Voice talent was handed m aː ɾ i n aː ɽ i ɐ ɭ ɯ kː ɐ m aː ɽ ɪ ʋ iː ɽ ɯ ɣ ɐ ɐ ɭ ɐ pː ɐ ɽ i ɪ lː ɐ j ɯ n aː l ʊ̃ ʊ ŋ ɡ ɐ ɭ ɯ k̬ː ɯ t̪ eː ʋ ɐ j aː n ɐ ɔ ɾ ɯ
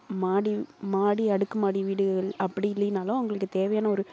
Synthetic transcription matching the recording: m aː ɽ i m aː ɽ i ɐ ɽ ɯ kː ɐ m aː ɽ i ʋ iː ɽ ɯ ɣ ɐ ɐ ɭ ɐ pː ɐ ɽ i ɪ lː ɐ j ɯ n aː l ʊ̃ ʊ ŋ ɡ ɐ ɭ ɯ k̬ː ɯ t̪ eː ʋ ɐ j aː n ɐ ɔ ɾ ɯ

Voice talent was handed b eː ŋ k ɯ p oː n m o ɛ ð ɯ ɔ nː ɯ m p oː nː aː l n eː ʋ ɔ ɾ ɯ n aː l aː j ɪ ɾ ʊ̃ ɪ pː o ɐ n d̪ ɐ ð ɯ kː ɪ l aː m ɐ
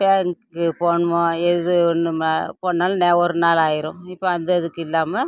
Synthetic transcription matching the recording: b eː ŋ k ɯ p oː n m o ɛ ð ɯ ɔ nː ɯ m p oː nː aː l n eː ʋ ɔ ɾ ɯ n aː l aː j ɪ ɾ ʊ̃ ɪ pː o ɐ n d̪ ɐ ð ɯ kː ɪ lː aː m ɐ

